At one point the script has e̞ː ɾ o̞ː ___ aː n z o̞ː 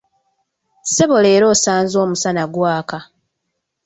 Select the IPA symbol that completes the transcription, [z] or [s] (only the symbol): s